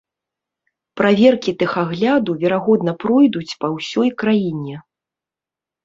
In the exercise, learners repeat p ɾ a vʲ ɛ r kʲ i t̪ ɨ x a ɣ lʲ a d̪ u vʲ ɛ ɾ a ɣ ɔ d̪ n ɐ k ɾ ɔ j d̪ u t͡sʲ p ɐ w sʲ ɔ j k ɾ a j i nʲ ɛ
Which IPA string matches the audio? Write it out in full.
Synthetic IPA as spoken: p ɾ a vʲ ɛ r kʲ i t̪ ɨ x a ɣ lʲ a d̪ u vʲ ɛ ɾ a ɣ ɔ d̪ n ɐ p ɾ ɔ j d̪ u t͡sʲ p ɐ w sʲ ɔ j k ɾ a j i nʲ ɛ